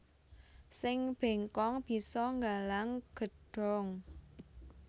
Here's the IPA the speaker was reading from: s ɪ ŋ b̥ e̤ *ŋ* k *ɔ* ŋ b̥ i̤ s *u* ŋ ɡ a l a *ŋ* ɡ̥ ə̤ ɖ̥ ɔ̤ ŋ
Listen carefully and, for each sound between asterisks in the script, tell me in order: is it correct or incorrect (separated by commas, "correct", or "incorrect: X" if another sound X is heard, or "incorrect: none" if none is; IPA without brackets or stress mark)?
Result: correct, correct, incorrect: ɔ, correct